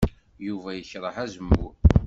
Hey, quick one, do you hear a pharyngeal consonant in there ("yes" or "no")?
yes